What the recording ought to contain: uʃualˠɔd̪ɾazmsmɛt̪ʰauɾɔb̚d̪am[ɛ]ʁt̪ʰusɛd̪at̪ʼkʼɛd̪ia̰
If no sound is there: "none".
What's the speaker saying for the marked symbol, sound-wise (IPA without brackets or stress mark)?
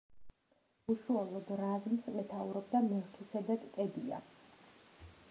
ɛ